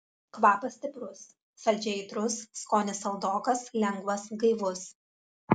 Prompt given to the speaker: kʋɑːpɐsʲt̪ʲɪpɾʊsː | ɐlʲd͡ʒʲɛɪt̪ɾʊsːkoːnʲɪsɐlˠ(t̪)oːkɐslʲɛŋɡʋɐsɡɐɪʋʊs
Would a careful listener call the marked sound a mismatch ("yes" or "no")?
yes